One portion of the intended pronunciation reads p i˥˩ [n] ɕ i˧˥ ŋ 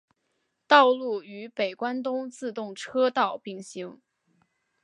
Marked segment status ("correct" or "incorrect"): incorrect